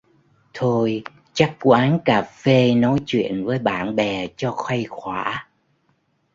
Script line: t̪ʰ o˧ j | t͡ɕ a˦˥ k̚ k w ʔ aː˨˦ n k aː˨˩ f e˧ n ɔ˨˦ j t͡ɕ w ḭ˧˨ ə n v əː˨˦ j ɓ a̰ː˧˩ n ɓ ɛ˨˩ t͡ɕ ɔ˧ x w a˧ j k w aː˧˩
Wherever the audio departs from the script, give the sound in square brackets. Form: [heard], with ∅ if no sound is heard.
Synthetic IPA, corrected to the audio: t̪ʰ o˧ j | t͡ɕ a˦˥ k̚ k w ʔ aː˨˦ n k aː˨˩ f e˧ n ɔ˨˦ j t͡ɕ w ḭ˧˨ ə n v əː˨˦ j ɓ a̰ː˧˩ n ɓ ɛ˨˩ t͡ɕ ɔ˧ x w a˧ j [x] w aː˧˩